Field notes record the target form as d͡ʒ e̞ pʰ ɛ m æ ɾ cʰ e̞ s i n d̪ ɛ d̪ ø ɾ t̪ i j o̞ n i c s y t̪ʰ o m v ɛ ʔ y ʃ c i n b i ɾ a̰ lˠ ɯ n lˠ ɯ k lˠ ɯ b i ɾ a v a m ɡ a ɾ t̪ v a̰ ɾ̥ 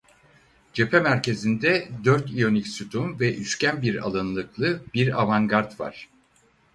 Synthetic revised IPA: d͡ʒ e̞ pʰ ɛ m æ ɾ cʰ e̞ z i n d̪ ɛ d̪ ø ɾ t̪ i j o̞ n i c s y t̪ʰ u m v ɛ ʔ y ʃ c æ n b i ɾ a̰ lˠ ɯ n lˠ ɯ k lˠ ɯ b i ɾ a v a ŋ ɡ a ɾ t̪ v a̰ ɾ̥